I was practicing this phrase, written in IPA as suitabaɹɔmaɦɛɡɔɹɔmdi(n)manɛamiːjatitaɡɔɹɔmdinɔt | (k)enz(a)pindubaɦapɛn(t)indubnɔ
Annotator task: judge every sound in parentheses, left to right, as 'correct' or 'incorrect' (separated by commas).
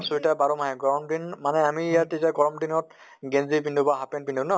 correct, incorrect, incorrect, incorrect